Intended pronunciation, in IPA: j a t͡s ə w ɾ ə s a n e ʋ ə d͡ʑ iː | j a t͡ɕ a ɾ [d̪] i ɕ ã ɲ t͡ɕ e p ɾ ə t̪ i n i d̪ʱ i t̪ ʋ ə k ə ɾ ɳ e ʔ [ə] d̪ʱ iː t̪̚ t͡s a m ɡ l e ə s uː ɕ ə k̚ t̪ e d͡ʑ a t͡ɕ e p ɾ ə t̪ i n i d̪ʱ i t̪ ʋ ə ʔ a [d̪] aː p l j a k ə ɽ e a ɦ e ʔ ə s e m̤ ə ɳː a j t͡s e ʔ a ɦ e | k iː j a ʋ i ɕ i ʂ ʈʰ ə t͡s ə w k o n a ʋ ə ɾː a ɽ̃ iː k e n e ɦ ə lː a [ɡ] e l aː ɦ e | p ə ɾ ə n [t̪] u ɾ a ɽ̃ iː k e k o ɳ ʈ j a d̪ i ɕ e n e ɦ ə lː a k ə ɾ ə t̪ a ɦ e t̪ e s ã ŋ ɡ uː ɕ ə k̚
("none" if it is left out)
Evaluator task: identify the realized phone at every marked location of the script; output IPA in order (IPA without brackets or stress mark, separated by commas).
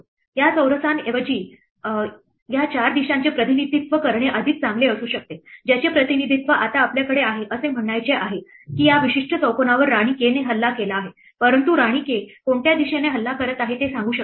d̪, ə, t̪, k, t̪